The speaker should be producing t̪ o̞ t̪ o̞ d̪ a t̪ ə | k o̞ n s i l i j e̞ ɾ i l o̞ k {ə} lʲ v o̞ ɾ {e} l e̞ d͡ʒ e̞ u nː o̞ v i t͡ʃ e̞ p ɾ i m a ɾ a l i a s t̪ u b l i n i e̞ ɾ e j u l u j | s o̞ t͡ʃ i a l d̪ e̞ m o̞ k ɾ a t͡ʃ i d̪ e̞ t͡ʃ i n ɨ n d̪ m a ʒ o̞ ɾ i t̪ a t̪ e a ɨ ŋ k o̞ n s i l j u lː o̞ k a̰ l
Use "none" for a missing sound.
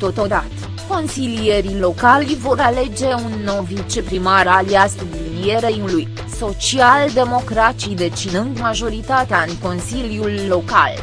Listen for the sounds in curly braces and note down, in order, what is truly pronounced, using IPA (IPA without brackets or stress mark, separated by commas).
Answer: a, a